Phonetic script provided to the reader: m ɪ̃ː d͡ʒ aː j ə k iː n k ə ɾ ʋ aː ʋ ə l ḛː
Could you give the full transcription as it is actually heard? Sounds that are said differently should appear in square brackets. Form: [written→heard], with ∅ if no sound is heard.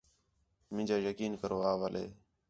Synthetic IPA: m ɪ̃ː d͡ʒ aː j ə k iː n k ə ɾ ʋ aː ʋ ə l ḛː